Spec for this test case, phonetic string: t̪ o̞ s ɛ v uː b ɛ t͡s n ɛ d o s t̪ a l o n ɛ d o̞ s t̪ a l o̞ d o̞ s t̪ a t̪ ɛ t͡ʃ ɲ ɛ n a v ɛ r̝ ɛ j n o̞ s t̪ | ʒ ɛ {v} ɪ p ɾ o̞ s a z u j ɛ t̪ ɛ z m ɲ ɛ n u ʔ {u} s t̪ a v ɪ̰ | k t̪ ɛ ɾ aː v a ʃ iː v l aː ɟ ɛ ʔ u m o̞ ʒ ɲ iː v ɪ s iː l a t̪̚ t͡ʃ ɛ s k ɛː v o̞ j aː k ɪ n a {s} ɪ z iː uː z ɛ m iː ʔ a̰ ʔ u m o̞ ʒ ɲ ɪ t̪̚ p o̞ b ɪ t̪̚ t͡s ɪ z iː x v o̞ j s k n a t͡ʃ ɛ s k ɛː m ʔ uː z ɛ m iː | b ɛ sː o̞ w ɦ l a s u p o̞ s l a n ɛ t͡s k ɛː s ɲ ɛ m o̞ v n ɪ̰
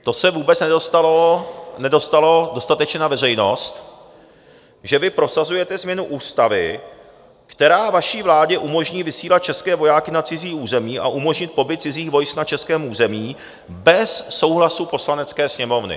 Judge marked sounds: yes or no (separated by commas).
yes, no, no